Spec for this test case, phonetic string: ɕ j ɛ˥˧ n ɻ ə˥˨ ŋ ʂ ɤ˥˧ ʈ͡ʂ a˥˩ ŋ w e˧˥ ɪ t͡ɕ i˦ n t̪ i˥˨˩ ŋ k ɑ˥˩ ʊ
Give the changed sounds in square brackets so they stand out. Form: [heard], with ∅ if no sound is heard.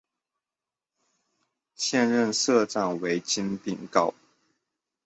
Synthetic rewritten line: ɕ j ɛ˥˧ n ɻ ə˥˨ [n] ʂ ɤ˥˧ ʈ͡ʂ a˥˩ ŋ w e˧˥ ɪ t͡ɕ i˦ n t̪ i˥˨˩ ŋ k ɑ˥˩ ʊ